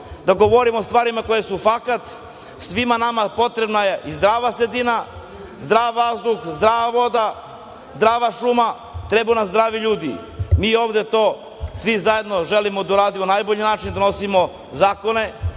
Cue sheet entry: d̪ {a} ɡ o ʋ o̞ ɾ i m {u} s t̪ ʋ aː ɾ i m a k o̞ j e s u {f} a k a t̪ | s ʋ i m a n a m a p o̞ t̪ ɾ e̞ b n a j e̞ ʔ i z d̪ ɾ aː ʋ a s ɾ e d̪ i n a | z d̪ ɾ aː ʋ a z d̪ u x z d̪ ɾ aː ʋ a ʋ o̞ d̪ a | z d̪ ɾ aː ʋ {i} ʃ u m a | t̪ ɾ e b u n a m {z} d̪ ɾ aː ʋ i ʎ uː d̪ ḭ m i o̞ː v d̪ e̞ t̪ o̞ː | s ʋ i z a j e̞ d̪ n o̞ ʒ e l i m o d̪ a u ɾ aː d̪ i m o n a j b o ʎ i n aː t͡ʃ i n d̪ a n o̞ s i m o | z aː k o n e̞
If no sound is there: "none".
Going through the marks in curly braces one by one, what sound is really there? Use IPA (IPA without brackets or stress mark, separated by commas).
a, o, f, a, z